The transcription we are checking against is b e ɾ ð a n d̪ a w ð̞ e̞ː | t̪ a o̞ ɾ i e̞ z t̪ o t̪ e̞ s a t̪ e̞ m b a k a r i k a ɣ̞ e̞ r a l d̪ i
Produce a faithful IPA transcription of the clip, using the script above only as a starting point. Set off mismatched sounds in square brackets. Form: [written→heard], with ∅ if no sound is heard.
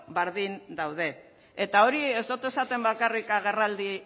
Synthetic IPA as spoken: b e ɾ ð [a→i] n d̪ a w ð̞ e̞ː | t̪ a o̞ ɾ i e̞ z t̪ o t̪ e̞ s a t̪ e̞ m b a k a r i k a ɣ̞ e̞ r a l d̪ i